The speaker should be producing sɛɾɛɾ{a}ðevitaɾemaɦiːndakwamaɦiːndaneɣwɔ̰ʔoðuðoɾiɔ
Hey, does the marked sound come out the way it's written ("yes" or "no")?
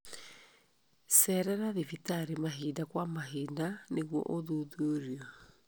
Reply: yes